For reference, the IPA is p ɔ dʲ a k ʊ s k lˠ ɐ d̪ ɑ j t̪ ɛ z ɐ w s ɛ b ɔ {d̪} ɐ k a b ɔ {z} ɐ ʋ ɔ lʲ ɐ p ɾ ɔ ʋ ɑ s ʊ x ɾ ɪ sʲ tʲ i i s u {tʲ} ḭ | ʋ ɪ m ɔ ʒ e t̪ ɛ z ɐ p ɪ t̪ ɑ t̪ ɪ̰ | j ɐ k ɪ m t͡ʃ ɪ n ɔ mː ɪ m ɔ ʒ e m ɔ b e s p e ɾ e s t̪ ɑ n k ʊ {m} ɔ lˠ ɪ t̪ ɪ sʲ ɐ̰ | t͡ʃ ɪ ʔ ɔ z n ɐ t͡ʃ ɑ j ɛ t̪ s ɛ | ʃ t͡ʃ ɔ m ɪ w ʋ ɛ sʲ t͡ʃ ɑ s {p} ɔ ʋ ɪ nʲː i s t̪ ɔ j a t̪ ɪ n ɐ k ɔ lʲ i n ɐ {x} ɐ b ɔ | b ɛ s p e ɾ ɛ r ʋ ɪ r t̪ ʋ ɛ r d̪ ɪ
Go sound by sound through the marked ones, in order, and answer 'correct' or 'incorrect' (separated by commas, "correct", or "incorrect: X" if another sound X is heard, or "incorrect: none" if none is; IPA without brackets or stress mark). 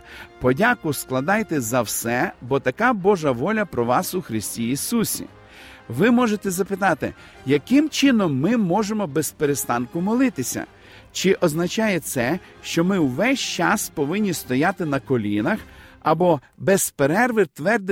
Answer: incorrect: t̪, incorrect: ʒ, incorrect: sʲ, correct, correct, correct